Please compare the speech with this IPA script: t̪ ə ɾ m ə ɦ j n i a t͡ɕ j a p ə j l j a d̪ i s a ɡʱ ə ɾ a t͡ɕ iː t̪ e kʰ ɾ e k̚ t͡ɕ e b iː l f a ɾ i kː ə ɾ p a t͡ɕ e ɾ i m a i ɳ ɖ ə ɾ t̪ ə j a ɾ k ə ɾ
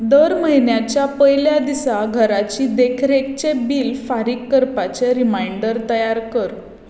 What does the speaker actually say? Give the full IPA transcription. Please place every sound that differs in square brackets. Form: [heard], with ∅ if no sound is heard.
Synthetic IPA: [d̪] ə ɾ m ə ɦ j n [j] a t͡ɕ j a p ə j l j a d̪ i s a ɡʱ ə ɾ a t͡ɕ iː [d̪] e kʰ ɾ e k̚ t͡ɕ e b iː l f a ɾ i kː ə ɾ p a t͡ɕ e ɾ i m a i ɳ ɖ ə ɾ t̪ ə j a ɾ k ə ɾ